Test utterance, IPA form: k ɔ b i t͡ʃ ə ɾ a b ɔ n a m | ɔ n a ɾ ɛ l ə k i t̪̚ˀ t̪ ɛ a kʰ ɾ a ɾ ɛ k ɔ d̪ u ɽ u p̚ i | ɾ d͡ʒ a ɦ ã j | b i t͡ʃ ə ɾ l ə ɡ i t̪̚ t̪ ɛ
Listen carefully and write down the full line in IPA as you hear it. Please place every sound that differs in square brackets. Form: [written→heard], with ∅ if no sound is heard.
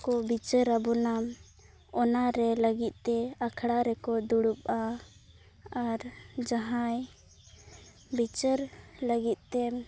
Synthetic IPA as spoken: k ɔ b i t͡ʃ ə ɾ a b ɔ n a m | ɔ n a ɾ ɛ l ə [k→ɡ] i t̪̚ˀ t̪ ɛ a kʰ [ɾ→ɽ] a ɾ ɛ k ɔ d̪ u ɽ u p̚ [i→a] | ɾ d͡ʒ a ɦ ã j | b i t͡ʃ ə ɾ l ə ɡ i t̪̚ t̪ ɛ